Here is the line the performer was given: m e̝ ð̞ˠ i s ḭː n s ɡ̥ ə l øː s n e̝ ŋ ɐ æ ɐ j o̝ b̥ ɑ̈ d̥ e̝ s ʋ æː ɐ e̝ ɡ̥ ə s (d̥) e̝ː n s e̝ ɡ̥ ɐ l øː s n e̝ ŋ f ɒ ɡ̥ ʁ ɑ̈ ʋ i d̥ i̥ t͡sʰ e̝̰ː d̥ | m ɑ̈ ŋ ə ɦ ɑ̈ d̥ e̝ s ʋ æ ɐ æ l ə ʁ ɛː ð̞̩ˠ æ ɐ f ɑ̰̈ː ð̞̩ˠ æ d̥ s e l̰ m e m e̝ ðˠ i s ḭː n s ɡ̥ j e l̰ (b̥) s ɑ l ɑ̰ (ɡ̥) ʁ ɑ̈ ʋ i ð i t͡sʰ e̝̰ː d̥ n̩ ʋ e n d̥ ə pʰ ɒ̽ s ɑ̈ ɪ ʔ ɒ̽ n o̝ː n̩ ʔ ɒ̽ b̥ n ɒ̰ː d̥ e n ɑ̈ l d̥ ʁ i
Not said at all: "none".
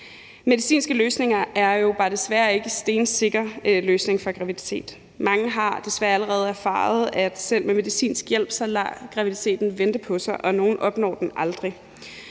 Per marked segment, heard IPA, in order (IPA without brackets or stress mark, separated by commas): d̥, b̥, ɡ̥